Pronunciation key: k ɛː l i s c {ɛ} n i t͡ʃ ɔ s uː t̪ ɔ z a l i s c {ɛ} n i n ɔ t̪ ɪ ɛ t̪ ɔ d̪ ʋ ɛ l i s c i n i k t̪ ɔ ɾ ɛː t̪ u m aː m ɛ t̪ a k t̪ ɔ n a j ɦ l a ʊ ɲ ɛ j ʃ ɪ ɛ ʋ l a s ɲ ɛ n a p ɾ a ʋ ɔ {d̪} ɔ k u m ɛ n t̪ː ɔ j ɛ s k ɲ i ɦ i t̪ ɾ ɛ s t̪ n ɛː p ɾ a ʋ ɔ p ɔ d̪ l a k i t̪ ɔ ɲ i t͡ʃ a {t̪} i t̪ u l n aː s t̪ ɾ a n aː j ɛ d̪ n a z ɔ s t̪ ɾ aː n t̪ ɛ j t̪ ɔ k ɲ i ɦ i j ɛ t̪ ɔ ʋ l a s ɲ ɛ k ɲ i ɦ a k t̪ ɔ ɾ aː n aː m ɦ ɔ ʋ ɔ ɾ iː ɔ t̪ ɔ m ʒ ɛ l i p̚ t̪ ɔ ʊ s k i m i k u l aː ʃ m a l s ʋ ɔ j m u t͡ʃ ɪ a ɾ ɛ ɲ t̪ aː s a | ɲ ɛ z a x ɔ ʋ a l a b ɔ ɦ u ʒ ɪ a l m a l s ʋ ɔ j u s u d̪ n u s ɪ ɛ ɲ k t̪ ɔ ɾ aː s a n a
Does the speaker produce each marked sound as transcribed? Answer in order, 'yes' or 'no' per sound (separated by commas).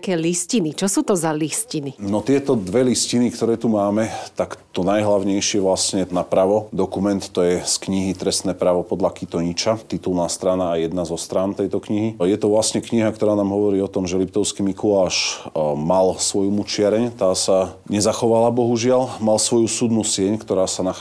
no, no, yes, yes